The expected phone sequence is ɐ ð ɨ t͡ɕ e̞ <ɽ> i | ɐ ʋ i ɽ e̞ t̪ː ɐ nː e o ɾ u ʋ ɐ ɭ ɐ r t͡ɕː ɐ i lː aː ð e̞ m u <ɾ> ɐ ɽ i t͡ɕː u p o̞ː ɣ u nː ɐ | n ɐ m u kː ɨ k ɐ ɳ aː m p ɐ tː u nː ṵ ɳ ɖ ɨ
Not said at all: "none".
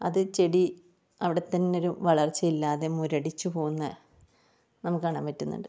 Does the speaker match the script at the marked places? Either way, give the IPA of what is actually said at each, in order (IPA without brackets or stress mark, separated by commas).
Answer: ɽ, ɾ